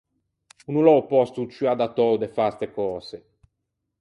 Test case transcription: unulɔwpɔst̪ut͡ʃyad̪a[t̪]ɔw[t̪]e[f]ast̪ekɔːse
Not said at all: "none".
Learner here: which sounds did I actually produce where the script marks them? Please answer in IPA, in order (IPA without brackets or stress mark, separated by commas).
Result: t̪, d̪, f